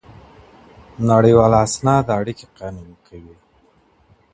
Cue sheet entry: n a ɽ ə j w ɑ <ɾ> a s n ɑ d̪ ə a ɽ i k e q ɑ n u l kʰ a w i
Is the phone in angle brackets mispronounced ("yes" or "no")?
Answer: yes